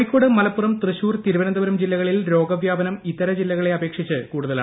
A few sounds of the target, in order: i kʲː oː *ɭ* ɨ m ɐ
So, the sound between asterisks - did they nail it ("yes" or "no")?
no